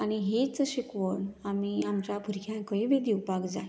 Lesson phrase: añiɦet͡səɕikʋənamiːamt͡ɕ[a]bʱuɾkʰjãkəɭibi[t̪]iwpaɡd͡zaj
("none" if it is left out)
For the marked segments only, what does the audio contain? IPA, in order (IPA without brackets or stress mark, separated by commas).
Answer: a, d̪